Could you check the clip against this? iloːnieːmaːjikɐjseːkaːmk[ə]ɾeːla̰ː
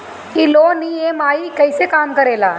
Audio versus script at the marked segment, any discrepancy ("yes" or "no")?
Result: yes